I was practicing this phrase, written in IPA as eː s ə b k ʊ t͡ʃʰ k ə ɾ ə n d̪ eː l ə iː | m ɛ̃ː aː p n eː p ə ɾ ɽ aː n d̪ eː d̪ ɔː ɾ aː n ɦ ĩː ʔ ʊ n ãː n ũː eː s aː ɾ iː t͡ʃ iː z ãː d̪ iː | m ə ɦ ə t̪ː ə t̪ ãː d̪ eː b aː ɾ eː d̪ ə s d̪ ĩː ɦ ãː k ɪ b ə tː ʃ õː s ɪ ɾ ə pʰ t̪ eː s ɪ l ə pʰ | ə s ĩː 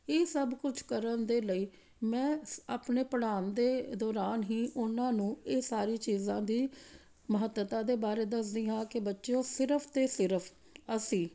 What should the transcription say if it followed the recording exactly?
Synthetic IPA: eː s ə b k ʊ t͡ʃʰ k ə ɾ ə n d̪ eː l ə iː | m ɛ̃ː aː p n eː p ə ɽ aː n d̪ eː d̪ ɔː ɾ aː n ɦ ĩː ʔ ʊ n ãː n ũː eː s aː ɾ iː t͡ʃ iː z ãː d̪ iː | m ə ɦ ə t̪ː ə t̪ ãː d̪ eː b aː ɾ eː d̪ ə s d̪ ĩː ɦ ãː k ɪ b ə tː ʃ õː s ɪ ɾ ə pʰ t̪ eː s ɪ ɾ ə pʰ | ə s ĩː

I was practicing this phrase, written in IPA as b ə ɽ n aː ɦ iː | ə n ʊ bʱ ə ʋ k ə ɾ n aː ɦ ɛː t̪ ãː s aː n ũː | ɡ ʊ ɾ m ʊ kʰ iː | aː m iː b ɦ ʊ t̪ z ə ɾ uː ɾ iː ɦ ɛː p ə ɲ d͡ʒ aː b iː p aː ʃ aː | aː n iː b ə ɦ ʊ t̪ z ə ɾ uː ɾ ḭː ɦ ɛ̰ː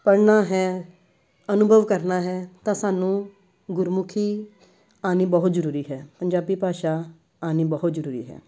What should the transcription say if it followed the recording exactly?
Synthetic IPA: p ə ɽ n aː ɦ ɛː | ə n ʊ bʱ ə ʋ k ə ɾ n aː ɦ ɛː t̪ ãː s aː n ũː | ɡ ʊ ɾ m ʊ kʰ iː | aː n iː b ɦ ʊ t̪ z ə ɾ uː ɾ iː ɦ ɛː p ə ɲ d͡ʒ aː b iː p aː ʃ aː | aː n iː b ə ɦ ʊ t̪ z ə ɾ uː ɾ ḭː ɦ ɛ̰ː

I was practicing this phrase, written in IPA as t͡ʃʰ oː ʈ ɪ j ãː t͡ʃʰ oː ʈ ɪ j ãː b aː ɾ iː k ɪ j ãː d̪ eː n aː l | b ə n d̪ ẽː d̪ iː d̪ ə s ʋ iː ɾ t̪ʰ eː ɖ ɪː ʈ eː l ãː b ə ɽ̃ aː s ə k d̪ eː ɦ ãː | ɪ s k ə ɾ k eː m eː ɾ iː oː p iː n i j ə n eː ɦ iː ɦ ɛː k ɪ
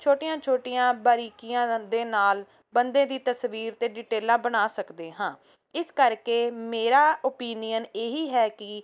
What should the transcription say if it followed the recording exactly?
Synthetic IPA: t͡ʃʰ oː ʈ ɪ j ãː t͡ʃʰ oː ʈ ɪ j ãː b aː ɾ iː k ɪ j ãː d̪ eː n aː l | b ə n d̪ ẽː d̪ iː t̪ ə s ʋ iː ɾ t̪ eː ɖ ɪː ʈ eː l ãː b ə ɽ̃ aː s ə k d̪ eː ɦ ãː | ɪ s k ə ɾ k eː m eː ɾ aː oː p iː n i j ə n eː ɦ iː ɦ ɛː k ɪ

